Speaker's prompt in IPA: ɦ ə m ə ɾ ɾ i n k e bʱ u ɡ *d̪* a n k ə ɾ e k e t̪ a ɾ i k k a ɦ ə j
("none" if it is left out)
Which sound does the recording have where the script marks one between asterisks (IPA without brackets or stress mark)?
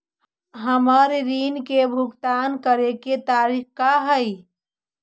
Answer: t̪